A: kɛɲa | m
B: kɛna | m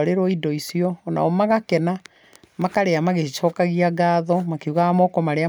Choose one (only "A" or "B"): B